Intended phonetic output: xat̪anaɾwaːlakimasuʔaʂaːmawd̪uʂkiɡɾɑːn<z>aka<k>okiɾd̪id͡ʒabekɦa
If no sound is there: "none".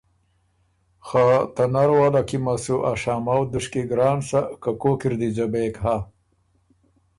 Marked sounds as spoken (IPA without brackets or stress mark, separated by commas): s, k